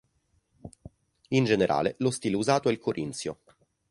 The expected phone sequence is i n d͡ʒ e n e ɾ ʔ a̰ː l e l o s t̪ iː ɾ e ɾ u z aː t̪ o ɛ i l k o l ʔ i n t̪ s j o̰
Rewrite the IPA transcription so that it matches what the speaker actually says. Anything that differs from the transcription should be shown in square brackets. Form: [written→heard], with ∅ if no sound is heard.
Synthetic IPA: i n d͡ʒ e n e ɾ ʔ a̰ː l e l o s t̪ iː [ɾ→l] e [ɾ→∅] u z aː t̪ o ɛ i l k o [l→ɾ] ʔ i n t̪ s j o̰